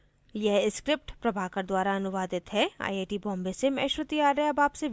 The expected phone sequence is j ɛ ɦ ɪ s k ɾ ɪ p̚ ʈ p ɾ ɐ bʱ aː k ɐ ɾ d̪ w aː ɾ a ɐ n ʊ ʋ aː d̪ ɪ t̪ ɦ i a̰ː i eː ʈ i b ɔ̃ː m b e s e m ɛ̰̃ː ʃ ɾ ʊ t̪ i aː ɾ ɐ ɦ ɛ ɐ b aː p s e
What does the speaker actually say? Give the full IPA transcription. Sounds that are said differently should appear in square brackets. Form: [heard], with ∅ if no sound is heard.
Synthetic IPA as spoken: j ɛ ɦ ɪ s k ɾ ɪ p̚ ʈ p ɾ ɐ bʱ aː k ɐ ɾ d̪ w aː ɾ a ɐ n ʊ ʋ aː d̪ ɪ t̪ ɦ [ɛ] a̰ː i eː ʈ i b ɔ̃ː m b e s e m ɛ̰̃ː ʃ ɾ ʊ t̪ i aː ɾ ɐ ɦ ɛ ɐ b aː p s e